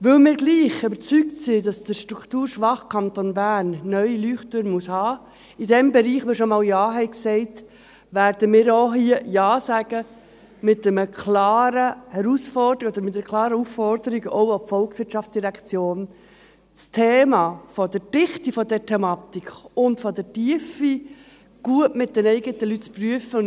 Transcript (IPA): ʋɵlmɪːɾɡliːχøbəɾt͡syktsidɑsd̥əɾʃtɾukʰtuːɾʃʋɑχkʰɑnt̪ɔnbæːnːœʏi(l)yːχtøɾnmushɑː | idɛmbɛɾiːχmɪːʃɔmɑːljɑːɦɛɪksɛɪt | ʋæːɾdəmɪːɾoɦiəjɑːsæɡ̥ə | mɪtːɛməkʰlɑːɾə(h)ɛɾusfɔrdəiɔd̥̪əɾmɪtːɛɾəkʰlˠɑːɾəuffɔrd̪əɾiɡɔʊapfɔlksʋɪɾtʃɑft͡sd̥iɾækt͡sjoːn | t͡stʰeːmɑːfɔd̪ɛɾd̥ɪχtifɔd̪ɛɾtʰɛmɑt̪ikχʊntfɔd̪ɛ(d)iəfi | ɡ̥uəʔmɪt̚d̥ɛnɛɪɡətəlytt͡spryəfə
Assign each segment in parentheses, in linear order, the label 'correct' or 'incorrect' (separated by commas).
correct, correct, incorrect